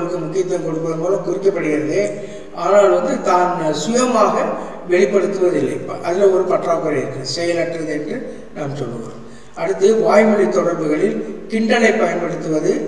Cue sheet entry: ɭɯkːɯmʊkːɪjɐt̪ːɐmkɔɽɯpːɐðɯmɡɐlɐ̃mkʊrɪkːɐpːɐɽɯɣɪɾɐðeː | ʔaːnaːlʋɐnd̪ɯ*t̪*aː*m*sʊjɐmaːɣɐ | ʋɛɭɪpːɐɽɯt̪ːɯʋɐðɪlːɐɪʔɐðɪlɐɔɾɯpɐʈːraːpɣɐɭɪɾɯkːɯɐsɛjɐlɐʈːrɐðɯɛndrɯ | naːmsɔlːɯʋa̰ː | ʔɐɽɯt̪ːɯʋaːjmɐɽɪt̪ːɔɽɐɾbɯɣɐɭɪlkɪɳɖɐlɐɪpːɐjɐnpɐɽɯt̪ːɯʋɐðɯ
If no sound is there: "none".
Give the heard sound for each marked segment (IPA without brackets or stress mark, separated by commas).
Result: t̪, n